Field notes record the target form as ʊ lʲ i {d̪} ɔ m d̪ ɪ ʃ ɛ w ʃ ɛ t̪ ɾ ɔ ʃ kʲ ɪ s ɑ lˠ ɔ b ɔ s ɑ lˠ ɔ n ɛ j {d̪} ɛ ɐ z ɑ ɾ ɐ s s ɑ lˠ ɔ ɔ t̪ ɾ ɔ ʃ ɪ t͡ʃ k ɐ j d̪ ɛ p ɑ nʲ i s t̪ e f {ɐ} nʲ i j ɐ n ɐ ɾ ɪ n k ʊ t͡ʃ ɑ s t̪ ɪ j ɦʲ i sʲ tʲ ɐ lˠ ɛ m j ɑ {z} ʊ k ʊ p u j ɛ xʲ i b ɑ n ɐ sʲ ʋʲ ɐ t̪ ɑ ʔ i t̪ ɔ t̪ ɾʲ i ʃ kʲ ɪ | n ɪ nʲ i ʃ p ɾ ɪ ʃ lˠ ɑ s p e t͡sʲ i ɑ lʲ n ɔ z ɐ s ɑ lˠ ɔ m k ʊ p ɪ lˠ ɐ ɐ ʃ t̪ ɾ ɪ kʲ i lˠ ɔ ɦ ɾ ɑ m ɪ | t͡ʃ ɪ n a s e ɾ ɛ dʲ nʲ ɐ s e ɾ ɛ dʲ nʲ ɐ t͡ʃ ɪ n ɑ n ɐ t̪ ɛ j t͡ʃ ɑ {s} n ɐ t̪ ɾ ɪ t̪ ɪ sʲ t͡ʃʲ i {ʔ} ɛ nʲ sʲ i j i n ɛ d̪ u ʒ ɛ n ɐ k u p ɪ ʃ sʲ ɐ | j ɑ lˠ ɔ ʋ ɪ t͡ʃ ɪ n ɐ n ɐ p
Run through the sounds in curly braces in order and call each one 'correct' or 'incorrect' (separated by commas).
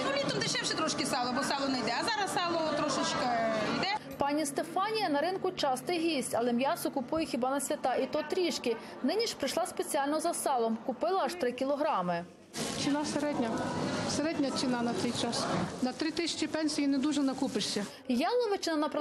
incorrect, correct, incorrect, incorrect, correct, incorrect